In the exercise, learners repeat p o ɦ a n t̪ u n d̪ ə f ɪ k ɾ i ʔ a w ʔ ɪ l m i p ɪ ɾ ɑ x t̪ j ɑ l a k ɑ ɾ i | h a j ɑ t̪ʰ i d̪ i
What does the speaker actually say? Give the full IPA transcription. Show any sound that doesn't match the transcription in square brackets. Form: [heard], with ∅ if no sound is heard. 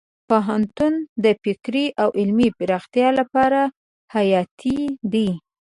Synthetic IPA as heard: p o ɦ a n t̪ u n d̪ ə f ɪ k ɾ i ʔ a w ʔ ɪ l m i p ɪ ɾ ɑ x t̪ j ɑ l a [p] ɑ ɾ [a] | h a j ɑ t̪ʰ i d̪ i